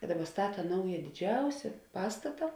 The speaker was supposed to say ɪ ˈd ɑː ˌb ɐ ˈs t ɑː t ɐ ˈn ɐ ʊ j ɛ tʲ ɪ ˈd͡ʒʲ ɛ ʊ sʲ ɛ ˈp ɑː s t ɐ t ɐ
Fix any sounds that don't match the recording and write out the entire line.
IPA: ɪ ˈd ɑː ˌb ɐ ˈs t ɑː t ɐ ˈn ɐ ʊ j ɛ dʲ ɪ ˈd͡ʒʲ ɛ ʊ sʲ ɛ ˈp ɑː s t ɐ t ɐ